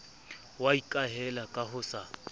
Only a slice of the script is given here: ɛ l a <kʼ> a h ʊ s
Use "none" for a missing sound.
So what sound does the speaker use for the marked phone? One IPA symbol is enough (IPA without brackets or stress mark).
kʼ